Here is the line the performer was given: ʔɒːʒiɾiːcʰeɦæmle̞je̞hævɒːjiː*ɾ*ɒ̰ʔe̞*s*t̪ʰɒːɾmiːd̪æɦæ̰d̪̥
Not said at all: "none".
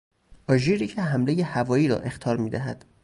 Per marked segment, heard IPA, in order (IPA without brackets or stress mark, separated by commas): ɾ, x